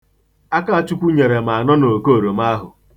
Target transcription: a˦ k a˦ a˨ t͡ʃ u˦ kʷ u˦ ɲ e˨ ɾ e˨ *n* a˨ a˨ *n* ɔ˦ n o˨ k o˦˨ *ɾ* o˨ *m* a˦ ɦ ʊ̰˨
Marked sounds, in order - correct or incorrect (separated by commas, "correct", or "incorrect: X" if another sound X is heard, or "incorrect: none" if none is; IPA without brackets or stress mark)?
incorrect: m, correct, correct, correct